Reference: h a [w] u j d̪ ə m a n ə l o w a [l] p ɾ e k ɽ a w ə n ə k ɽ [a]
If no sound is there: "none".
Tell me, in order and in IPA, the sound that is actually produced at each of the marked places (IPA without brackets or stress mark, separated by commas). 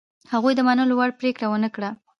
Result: ɣ, ɽ, a